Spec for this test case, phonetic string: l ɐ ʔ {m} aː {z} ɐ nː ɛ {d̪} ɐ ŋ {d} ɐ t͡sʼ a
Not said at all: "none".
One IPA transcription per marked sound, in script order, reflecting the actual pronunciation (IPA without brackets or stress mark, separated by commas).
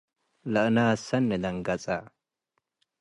n, s, d̪, ɡ